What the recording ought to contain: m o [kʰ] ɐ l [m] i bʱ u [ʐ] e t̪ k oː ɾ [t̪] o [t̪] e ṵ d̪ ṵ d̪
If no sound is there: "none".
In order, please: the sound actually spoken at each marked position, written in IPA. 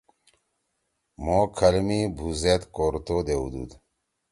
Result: kʰ, m, z, t̪, d̪

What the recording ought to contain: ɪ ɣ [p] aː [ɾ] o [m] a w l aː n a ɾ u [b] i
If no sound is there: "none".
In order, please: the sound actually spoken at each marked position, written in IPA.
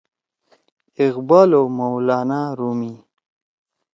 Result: b, l, m, m

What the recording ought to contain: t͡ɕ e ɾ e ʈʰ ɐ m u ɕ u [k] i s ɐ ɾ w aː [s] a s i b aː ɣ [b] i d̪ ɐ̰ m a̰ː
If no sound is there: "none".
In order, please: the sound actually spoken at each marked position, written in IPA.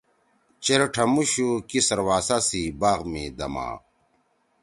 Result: k, s, m

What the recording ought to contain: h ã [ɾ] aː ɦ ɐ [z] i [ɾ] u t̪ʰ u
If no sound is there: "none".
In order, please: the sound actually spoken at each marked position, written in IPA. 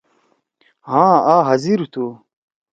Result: none, z, ɾ

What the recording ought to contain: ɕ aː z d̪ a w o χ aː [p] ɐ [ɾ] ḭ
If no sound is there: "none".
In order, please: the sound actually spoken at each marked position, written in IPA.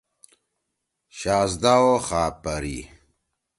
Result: p, ɾ

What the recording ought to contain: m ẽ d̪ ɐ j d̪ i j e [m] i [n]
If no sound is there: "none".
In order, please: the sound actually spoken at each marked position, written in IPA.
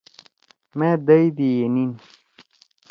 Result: n, n

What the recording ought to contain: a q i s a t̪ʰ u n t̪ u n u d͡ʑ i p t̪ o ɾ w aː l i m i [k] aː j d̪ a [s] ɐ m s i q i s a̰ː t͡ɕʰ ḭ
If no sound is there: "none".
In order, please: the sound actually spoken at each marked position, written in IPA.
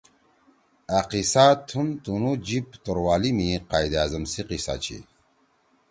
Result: q, z

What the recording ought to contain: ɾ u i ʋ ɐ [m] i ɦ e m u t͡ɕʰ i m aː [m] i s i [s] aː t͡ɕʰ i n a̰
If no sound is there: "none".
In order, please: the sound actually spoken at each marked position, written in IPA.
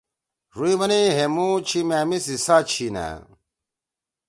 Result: n, m, s

